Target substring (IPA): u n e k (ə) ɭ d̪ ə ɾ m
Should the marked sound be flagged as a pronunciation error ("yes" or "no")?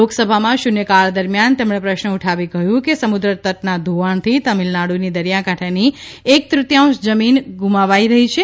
yes